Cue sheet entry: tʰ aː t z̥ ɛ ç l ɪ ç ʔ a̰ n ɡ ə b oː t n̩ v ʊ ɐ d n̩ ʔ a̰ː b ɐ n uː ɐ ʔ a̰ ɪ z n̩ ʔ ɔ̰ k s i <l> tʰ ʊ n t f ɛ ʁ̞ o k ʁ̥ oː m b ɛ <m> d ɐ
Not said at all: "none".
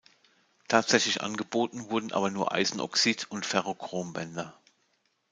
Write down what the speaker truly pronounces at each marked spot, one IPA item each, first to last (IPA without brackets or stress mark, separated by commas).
none, n